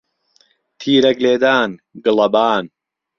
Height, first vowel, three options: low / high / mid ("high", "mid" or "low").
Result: high